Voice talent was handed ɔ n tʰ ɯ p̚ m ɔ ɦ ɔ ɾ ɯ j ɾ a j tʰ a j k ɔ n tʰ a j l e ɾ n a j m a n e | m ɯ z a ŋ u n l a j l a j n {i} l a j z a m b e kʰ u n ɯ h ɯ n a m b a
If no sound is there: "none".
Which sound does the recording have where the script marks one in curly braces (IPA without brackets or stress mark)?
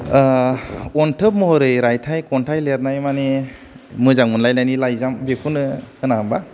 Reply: i